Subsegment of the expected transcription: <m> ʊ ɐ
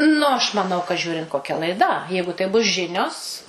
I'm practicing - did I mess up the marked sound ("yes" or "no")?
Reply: yes